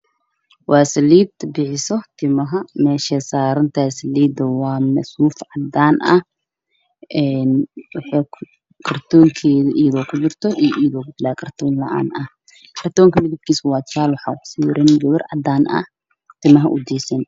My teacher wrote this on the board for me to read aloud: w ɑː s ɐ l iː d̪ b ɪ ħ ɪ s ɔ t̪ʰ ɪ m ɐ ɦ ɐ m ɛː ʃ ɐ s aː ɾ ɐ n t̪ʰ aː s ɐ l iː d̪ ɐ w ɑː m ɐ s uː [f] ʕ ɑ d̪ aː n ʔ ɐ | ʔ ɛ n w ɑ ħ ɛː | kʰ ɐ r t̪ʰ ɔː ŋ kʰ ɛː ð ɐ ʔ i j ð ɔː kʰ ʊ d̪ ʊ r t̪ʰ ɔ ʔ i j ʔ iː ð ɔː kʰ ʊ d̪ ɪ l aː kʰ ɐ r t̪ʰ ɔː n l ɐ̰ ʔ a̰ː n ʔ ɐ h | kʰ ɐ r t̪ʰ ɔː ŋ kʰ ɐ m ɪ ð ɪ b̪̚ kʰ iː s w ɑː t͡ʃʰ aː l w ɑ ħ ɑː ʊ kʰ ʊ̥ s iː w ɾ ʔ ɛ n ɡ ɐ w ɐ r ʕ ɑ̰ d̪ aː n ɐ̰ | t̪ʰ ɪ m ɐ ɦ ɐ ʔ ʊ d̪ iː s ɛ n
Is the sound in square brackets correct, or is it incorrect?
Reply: correct